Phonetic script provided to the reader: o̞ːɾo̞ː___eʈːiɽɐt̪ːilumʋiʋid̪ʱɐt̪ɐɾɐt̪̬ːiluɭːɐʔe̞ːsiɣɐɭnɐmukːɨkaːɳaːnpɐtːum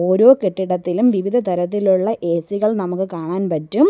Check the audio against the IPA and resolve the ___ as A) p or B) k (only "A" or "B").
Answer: B